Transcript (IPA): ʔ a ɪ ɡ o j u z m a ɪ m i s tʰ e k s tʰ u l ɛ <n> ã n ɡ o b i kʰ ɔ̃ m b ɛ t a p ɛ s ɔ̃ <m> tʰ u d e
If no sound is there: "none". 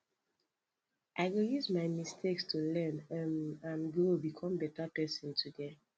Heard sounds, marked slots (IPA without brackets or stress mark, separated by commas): n, n